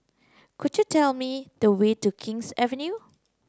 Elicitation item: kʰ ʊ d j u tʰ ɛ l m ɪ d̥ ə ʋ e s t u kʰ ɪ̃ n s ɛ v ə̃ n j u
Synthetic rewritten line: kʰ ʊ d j u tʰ ɛ l m i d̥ ə w e t u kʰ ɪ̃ ŋ s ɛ v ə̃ n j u